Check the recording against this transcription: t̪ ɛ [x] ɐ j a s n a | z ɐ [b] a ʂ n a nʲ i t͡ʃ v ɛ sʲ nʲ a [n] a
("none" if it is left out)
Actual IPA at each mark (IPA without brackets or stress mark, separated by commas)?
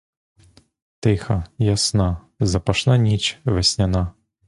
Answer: x, p, n